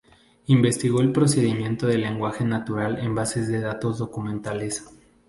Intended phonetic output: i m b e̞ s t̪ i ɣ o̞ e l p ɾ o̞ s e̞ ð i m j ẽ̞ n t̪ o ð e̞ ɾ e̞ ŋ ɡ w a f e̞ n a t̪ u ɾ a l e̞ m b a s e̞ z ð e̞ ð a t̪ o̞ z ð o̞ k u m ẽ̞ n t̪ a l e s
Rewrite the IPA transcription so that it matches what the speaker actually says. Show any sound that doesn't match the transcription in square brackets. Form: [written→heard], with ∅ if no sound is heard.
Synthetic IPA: i m b e̞ s t̪ i ɣ o̞ e l p ɾ o̞ s e̞ ð i m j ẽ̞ n t̪ o ð e̞ [ɾ→l] e̞ ŋ ɡ w a [f→x] e̞ n a t̪ u ɾ a l e̞ m b a s e̞ z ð e̞ ð a t̪ o̞ z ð o̞ k u m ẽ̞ n t̪ a l e s